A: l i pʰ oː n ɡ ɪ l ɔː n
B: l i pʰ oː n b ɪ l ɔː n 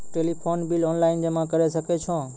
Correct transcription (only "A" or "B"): B